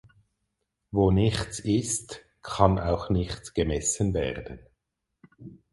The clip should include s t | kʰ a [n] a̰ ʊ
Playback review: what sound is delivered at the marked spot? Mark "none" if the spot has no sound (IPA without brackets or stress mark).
n